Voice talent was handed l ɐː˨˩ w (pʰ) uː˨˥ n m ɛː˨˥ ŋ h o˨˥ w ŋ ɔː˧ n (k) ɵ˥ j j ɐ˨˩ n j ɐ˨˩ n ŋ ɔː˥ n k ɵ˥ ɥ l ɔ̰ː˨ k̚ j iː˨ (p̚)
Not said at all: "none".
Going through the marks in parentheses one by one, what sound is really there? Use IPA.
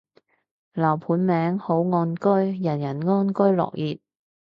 pʰ, k, t̚

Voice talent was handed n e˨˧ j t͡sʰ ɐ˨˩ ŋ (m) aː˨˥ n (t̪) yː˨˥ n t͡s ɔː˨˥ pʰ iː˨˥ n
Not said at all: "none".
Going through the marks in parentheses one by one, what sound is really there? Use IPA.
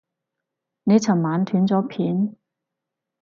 m, t̪ʰ

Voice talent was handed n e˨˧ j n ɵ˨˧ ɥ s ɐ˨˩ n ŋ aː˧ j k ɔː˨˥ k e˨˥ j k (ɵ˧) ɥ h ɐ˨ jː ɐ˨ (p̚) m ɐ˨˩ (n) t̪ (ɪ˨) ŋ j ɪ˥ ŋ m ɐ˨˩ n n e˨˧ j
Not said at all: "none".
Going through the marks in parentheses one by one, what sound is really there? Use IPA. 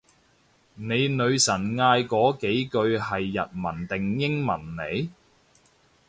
ɵ˧, t̚, n, ɪ˨

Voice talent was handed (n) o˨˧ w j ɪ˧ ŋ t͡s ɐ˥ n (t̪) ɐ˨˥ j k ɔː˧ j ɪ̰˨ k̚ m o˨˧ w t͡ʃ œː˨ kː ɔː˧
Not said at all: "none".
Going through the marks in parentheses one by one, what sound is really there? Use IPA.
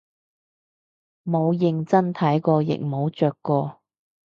m, t̪ʰ

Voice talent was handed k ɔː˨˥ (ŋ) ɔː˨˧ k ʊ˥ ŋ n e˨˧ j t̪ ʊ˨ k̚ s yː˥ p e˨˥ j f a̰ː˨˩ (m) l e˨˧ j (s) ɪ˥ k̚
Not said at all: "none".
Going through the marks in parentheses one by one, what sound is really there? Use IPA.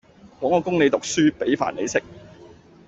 ŋ, n, s

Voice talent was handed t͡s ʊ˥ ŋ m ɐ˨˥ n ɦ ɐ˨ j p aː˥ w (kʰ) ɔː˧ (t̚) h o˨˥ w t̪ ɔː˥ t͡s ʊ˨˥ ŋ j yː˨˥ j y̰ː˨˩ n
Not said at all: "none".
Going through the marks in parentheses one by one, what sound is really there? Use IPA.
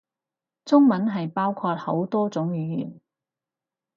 kʰ, t̚

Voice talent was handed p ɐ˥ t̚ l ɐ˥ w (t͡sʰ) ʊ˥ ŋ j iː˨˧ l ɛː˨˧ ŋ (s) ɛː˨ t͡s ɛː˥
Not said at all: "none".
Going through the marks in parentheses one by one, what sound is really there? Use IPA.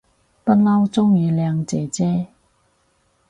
t͡s, t͡s

